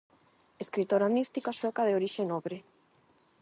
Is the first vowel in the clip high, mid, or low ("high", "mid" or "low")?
mid